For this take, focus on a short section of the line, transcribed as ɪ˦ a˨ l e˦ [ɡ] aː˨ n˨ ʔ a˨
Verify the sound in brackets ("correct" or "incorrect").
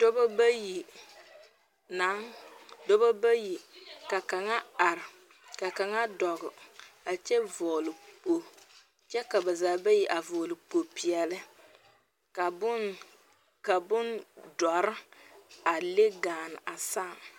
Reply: correct